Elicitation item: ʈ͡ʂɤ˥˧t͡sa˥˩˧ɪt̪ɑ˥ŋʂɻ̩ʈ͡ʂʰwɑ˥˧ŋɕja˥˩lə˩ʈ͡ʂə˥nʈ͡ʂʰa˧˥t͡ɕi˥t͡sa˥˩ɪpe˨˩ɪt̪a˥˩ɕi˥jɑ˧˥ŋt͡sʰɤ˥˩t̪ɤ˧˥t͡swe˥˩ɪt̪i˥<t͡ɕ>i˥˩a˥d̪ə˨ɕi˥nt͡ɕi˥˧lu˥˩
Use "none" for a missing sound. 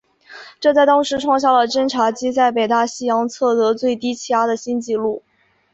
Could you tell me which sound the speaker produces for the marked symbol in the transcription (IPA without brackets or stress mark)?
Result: t͡ɕʰ